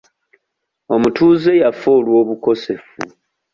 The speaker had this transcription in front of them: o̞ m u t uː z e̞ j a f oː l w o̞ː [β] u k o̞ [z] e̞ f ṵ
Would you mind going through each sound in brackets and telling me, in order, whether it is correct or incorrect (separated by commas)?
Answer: correct, incorrect